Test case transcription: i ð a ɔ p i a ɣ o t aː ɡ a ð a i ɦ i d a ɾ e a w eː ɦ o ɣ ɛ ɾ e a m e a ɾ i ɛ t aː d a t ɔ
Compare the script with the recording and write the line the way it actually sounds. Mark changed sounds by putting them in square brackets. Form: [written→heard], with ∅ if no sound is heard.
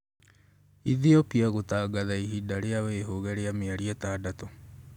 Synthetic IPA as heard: i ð [a→i] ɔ p i a ɣ o t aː ɡ a ð a i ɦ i d a ɾ e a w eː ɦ o ɣ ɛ ɾ e a m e a ɾ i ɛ t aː d a t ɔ